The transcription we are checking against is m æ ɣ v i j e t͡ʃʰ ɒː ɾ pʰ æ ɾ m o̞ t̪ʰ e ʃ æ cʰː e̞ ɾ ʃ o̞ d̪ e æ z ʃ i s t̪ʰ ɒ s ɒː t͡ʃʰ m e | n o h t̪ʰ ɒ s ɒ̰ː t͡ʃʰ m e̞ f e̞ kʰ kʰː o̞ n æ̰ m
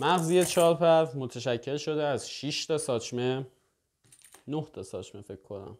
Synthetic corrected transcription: m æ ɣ z i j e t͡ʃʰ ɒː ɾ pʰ æ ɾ m o̞ t̪ʰ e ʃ æ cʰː e̞ l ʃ o̞ d̪ e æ z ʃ i ʃ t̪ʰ ɒ s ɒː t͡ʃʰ m e | n o h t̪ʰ ɒ s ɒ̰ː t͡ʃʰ m e̞ f e̞ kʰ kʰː o̞ n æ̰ m